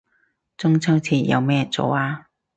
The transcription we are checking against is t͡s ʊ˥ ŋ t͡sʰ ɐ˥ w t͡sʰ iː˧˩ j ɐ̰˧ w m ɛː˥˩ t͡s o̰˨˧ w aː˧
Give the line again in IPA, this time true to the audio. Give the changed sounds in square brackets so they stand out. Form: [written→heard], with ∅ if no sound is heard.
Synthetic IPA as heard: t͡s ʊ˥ ŋ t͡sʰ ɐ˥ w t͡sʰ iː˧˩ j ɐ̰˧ w m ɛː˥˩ t͡s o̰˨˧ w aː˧